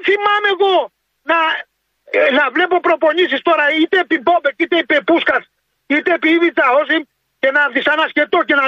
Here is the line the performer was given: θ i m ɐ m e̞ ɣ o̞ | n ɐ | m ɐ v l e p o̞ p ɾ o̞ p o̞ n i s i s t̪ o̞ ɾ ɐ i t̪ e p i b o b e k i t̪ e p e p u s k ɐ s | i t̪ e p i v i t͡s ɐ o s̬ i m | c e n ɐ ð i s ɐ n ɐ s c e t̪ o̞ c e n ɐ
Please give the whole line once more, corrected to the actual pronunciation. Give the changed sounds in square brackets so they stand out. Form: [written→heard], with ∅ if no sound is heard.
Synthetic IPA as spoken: θ i m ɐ m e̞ ɣ o̞ | n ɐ | [m→n] ɐ v l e p o̞ p ɾ o̞ p o̞ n i s i s t̪ o̞ ɾ ɐ i t̪ e p i b o b e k i t̪ e p e p u s k ɐ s | i t̪ e p i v i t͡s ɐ o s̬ i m | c e n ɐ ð i s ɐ n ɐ s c e t̪ o̞ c e n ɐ